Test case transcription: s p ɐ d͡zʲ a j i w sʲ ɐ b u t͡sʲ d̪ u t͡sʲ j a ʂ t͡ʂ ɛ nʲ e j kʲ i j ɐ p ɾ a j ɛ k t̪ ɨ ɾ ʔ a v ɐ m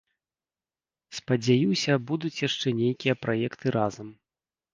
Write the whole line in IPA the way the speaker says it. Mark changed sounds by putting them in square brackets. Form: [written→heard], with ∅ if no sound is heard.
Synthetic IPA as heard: s p ɐ d͡zʲ a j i w sʲ ɐ b u [t͡sʲ→∅] d̪ u t͡sʲ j a ʂ t͡ʂ ɛ nʲ e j kʲ i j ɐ p ɾ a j ɛ k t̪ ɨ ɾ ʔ a [v→z] ɐ m